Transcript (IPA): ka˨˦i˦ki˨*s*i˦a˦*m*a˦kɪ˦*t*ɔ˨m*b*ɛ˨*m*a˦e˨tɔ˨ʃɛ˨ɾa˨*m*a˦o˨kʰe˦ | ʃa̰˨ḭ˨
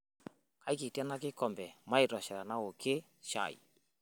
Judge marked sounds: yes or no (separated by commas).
no, no, no, yes, yes, no